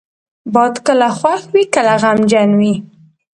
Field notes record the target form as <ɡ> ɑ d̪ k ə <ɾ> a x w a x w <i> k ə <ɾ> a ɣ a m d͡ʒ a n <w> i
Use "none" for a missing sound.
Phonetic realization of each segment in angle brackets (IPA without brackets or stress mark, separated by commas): b, l, i, l, w